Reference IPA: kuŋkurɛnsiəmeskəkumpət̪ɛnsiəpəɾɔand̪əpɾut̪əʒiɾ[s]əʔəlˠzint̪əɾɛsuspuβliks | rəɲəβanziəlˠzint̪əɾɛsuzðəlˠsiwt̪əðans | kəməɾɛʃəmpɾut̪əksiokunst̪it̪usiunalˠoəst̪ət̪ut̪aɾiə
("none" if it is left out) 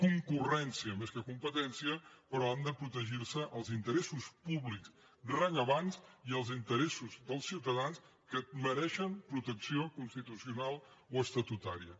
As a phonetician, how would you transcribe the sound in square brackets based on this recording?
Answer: s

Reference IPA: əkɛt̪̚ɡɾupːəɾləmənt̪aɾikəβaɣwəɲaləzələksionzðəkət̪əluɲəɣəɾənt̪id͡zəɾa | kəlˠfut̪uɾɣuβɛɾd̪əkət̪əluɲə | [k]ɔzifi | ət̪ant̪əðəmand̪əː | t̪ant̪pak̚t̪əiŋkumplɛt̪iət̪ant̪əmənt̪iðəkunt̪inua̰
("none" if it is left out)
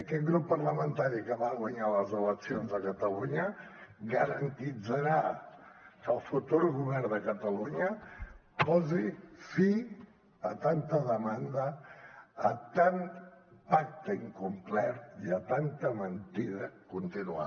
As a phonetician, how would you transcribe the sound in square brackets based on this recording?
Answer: p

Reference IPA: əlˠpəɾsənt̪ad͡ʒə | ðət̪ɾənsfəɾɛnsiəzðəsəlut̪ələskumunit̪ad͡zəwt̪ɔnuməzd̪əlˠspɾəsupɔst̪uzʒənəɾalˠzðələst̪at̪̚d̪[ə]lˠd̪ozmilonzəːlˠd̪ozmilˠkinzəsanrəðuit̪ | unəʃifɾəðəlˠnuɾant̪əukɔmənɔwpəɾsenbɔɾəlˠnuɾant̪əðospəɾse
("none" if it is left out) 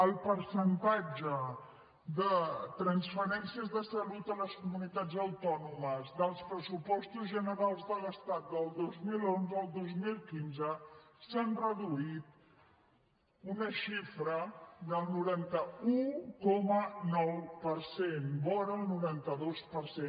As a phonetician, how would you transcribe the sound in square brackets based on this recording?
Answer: ə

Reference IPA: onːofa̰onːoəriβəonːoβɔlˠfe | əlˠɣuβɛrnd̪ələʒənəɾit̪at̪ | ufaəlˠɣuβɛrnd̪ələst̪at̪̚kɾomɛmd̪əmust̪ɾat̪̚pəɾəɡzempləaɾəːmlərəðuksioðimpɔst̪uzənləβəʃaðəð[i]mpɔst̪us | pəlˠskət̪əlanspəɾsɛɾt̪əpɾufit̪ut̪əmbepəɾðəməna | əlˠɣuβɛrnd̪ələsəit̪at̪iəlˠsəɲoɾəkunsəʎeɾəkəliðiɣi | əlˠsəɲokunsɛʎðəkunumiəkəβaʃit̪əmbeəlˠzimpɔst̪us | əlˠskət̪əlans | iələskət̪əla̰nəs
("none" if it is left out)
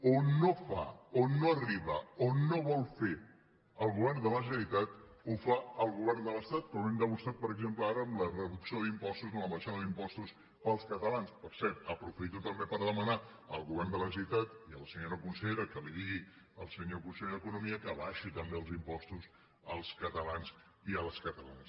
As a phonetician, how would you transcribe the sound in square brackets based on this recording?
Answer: i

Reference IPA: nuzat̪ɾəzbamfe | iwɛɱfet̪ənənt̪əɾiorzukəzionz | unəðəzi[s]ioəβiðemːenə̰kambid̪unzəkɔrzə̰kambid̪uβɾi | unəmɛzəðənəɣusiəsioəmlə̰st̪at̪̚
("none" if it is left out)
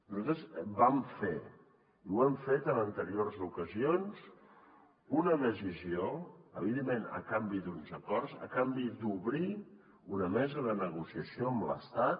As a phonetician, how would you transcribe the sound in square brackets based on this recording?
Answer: z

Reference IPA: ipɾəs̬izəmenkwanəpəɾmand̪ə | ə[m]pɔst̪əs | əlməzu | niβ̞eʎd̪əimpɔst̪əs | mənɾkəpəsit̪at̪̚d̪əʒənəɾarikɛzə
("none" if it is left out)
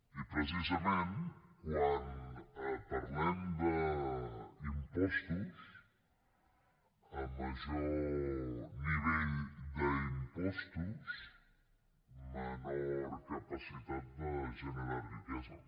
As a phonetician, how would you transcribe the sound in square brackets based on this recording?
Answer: m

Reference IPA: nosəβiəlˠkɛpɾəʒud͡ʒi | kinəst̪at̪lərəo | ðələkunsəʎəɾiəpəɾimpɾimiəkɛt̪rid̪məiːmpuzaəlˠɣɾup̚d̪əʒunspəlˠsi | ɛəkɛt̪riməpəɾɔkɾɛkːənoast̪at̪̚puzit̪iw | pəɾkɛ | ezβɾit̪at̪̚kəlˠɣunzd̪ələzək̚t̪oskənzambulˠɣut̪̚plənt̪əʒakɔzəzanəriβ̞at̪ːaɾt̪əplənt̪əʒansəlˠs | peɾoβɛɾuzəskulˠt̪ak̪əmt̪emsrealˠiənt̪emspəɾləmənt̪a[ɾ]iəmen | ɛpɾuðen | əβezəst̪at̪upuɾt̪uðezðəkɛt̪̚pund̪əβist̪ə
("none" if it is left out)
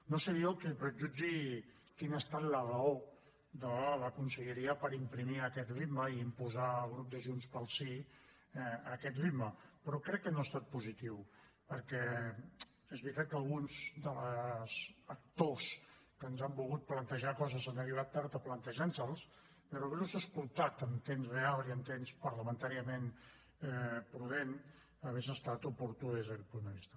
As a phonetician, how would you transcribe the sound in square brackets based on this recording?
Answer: ɾ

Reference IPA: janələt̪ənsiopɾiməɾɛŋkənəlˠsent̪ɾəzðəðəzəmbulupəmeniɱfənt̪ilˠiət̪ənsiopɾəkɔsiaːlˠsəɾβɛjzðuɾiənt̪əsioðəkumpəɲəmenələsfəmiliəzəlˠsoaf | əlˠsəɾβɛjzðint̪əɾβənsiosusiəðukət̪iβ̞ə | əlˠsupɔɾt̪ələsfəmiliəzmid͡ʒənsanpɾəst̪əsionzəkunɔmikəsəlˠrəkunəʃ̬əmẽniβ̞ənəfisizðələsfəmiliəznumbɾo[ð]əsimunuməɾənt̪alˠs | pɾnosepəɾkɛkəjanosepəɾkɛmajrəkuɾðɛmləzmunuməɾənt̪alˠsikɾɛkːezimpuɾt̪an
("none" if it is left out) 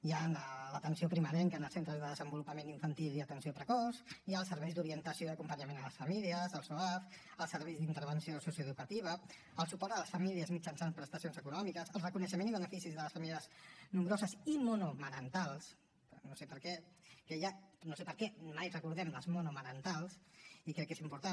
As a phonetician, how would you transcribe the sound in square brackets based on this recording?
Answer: z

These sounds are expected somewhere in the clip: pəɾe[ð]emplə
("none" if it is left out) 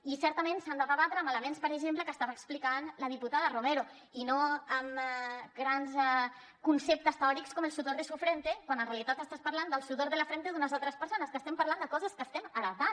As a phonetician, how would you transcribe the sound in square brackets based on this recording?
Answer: ʒ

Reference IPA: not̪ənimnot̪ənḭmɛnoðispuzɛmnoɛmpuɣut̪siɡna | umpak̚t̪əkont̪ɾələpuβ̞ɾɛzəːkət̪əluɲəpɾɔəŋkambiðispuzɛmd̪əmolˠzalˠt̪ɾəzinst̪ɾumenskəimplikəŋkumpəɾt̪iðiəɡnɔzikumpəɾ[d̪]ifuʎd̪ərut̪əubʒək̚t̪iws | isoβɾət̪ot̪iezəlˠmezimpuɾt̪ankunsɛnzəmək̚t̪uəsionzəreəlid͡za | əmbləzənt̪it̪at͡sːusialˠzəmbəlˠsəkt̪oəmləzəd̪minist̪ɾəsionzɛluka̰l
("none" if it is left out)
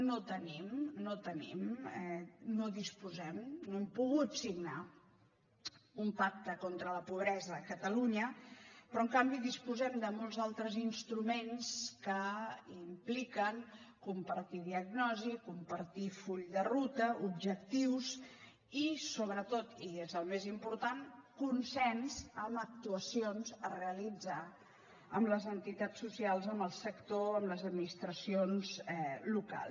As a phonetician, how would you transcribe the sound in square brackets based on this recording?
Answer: t̪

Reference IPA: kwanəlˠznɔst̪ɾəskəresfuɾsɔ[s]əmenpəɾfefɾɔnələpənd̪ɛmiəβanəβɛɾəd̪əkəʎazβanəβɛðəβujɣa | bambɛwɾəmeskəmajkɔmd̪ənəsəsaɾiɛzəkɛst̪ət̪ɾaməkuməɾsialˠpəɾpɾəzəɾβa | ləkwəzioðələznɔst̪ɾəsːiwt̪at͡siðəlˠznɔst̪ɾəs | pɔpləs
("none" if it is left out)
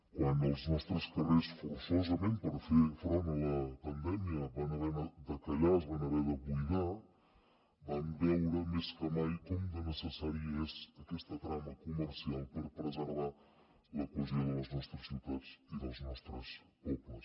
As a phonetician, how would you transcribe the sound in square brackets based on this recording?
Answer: z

